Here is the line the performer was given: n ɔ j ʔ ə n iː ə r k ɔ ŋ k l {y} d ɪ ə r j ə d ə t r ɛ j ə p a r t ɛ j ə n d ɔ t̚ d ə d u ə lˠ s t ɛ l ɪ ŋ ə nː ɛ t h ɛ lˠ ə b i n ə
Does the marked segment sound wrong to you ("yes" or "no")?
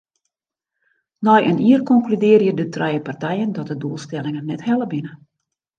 no